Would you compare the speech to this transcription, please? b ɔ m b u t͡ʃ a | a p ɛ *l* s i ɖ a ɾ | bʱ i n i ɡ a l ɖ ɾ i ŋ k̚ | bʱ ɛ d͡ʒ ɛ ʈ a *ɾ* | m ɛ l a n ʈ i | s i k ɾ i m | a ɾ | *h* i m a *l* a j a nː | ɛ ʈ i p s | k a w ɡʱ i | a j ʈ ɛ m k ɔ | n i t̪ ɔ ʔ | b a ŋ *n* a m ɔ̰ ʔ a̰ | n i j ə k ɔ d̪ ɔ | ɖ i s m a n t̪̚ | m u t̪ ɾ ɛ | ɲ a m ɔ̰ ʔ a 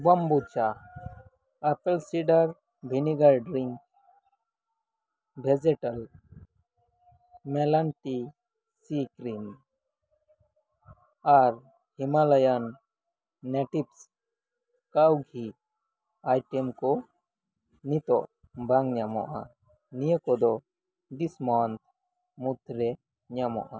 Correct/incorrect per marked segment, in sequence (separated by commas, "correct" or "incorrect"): correct, incorrect, correct, correct, incorrect